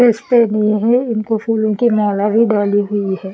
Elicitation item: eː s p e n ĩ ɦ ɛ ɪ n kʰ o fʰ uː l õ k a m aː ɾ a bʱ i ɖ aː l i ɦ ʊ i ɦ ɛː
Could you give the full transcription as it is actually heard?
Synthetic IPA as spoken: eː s p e n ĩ ɦ ɛ ɪ n k o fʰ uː l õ k i m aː l a bʱ i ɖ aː l i ɦ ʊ i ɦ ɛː